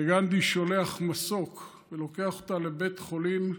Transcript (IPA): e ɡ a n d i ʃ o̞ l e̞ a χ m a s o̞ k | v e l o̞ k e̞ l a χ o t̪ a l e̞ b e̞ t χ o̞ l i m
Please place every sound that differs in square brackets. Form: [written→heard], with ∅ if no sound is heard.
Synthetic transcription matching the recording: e ɡ a n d i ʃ o̞ l e̞ a χ m a s o̞ k | v e l o̞ k e̞ [l→∅] a χ o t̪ a l e̞ b e̞ t χ o̞ l i m